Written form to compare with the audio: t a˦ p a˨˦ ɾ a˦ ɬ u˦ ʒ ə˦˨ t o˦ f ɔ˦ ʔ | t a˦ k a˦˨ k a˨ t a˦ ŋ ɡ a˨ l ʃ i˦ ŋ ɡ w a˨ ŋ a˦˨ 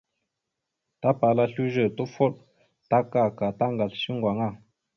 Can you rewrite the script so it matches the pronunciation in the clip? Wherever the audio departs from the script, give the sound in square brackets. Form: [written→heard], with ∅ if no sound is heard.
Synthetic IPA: t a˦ p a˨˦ [ɾ→l] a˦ ɬ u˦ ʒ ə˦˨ t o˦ f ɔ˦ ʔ | t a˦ k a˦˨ k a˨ t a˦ ŋ ɡ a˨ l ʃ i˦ ŋ ɡ w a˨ ŋ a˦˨

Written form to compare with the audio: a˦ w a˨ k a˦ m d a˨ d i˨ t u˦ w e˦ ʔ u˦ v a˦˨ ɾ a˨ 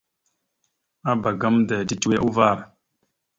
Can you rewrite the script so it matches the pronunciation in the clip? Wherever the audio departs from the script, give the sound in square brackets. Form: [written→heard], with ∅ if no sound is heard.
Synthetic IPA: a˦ [w→b] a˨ [k→ɡ] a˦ m d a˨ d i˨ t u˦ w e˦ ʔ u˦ v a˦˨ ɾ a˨

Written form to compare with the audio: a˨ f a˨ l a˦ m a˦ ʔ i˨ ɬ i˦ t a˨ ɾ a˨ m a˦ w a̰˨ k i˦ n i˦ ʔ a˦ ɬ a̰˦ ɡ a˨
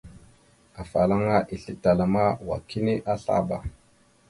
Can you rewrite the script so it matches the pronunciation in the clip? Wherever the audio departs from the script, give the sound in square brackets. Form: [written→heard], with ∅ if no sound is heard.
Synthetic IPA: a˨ f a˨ l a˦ [m→ŋ] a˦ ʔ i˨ ɬ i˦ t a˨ [ɾ→l] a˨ m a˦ w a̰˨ k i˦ n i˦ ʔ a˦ ɬ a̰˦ [ɡ→b] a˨

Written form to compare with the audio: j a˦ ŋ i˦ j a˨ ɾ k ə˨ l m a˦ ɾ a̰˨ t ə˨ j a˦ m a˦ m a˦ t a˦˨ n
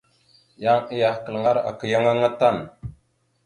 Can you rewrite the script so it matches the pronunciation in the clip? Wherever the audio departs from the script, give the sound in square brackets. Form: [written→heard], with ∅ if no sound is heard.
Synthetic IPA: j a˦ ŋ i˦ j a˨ [ɾ→∅] k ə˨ l [m→ŋ] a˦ ɾ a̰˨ [t→k] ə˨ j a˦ [m→ŋ] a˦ [m→ŋ] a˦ t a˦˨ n

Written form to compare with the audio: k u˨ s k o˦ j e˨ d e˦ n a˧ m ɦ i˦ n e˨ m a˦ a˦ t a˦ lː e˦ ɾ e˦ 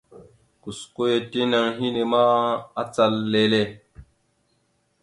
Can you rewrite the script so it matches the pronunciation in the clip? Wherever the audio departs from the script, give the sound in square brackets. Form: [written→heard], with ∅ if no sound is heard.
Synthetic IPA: k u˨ s k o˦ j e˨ [d→t] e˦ n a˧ [m→ŋ] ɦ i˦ n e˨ m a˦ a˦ [t→t͡s] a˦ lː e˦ [ɾ→l] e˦

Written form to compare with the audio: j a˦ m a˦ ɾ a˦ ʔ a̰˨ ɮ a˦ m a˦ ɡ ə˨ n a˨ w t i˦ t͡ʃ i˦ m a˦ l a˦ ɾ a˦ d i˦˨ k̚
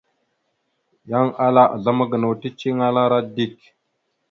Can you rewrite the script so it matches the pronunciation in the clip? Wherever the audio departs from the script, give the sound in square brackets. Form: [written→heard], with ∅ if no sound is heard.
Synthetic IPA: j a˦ [m→ŋ] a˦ [ɾ→l] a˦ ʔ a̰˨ ɮ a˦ m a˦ ɡ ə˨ n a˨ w t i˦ t͡ʃ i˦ [m→ŋ] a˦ l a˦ ɾ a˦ d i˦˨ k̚

